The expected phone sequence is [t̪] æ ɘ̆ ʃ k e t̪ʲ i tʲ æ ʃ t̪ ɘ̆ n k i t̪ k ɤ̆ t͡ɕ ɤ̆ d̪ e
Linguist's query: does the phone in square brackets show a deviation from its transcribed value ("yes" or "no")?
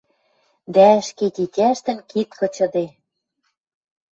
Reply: yes